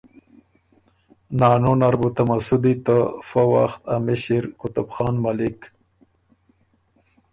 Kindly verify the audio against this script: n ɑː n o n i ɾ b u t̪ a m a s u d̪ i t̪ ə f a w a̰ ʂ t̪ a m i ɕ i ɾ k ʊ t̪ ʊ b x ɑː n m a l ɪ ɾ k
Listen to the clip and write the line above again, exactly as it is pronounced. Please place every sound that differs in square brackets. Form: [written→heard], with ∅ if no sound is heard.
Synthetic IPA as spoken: n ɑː n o n [i→a] ɾ b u t̪ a m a s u d̪ i t̪ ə f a w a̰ [ʂ→x] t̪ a m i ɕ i ɾ k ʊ t̪ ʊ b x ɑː n m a l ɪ [ɾ→∅] k